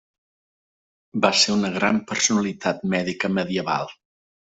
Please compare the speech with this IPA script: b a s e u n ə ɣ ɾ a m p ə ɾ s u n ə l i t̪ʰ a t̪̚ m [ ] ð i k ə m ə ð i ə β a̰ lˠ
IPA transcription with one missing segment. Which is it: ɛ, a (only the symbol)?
ɛ